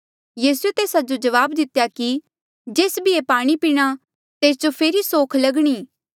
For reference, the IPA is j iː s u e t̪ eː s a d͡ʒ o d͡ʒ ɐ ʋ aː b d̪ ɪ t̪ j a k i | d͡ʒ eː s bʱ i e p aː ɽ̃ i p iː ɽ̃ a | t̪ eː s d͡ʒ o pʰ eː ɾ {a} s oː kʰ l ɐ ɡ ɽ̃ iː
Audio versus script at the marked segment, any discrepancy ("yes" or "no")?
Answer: yes